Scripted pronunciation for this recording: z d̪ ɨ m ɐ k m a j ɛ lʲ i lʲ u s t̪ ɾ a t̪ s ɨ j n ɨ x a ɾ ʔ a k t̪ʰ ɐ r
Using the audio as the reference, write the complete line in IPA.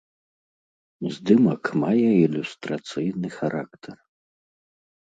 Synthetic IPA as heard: z d̪ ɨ m ɐ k m a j ɛ i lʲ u s t̪ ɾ a t̪ s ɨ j n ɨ x a ɾ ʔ a k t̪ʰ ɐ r